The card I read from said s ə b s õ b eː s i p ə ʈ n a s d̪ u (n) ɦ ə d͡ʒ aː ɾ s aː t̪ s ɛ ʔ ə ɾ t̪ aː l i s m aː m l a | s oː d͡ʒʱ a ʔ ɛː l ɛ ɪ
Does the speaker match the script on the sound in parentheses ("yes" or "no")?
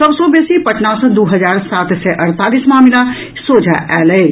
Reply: no